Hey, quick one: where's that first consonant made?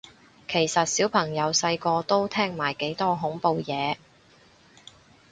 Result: velum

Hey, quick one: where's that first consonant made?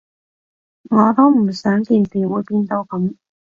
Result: velum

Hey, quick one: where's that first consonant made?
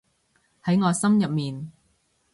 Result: throat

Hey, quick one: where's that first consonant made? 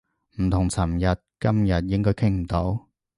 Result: lips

